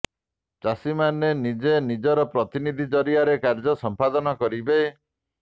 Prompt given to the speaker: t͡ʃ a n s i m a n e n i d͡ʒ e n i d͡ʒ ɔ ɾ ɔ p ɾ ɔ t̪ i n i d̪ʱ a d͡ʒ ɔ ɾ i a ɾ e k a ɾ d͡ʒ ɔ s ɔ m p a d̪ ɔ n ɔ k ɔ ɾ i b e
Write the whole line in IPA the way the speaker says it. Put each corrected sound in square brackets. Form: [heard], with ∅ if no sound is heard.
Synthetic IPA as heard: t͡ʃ a [∅] s i m a n e n i d͡ʒ e n i d͡ʒ ɔ ɾ ɔ p ɾ ɔ t̪ i n i d̪ʱ [i] d͡ʒ ɔ ɾ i a ɾ e k a ɾ d͡ʒ ɔ s ɔ m p a d̪ ɔ n ɔ k ɔ ɾ i b e

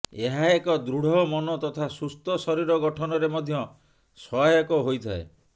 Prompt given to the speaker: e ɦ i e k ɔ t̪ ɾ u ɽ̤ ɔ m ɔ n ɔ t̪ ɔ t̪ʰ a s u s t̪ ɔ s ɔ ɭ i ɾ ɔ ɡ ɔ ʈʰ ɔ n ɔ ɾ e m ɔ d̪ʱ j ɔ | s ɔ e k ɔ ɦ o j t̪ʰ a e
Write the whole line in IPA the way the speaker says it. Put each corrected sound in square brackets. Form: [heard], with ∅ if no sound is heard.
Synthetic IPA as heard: e ɦ [a] e k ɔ [d̪] ɾ u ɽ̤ ɔ m ɔ n ɔ t̪ ɔ t̪ʰ a s u s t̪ ɔ s ɔ [ɾ] i ɾ ɔ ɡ ɔ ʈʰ ɔ n ɔ ɾ e m ɔ d̪ʱ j ɔ | s ɔ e k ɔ ɦ o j t̪ʰ a e

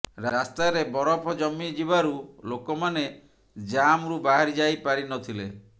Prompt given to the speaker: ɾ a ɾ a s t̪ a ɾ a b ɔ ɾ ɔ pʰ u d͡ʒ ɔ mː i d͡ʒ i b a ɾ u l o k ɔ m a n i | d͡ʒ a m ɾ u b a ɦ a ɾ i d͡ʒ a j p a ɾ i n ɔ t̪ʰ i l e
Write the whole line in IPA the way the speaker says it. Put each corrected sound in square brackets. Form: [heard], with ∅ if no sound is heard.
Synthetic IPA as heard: ɾ a ɾ a s t̪ a ɾ [e] b ɔ ɾ ɔ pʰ [ɔ] d͡ʒ ɔ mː i d͡ʒ i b a ɾ u l o k ɔ m a n [e] | d͡ʒ a m ɾ u b a ɦ a ɾ i d͡ʒ a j p a ɾ i n ɔ t̪ʰ i l e

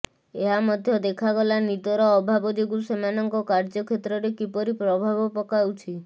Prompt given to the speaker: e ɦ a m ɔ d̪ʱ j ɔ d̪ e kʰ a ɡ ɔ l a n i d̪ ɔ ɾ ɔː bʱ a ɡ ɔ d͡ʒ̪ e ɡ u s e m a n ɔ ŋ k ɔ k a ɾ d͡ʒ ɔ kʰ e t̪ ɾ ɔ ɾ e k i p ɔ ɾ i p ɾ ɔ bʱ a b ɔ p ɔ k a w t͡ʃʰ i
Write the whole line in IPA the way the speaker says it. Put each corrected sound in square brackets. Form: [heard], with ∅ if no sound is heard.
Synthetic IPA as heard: e ɦ a m ɔ d̪ʱ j ɔ d̪ e kʰ a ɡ ɔ l a n i d̪ ɔ ɾ ɔː bʱ a [b] ɔ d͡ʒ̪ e ɡ u s e m a n ɔ ŋ k ɔ k a ɾ d͡ʒ ɔ kʰ e t̪ ɾ ɔ ɾ e k i p ɔ ɾ i p ɾ ɔ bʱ a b ɔ p ɔ k a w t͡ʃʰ i

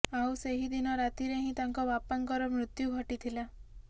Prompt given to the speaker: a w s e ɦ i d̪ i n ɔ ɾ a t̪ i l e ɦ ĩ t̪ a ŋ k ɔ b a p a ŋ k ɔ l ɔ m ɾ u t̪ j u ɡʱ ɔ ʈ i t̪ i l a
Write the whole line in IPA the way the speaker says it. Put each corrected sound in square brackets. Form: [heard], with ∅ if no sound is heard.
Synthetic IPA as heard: a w s e ɦ i d̪ i n ɔ ɾ a t̪ i [ɾ] e ɦ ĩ t̪ a ŋ k ɔ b a p a ŋ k ɔ [ɾ] ɔ m ɾ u t̪ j u ɡʱ ɔ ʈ i [t̪ʰ] i l a

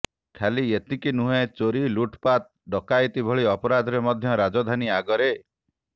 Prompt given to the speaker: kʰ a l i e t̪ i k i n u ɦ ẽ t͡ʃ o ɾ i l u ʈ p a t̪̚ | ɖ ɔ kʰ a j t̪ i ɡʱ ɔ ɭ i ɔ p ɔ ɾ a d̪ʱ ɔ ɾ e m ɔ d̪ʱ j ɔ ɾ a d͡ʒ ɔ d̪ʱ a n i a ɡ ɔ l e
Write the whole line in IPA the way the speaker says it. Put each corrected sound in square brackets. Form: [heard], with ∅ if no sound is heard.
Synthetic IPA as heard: kʰ a l i e t̪ i k i n u ɦ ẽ t͡ʃ o ɾ i l u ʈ p a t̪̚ | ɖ ɔ [k] a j t̪ i [bʱ] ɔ ɭ i ɔ p ɔ ɾ a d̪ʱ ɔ ɾ e m ɔ d̪ʱ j ɔ ɾ a d͡ʒ ɔ d̪ʱ a n i a ɡ ɔ [ɾ] e

